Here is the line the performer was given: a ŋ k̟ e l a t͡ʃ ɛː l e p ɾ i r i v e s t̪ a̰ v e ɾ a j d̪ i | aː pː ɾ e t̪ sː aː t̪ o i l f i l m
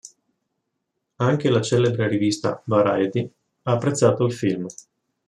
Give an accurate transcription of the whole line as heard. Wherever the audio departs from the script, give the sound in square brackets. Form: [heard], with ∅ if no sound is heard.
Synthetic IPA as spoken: a ŋ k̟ e l a t͡ʃ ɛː l e [b] ɾ [e] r i v [i] s t̪ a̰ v [a] ɾ a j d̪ i | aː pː ɾ e t̪ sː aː t̪ o i l f i l m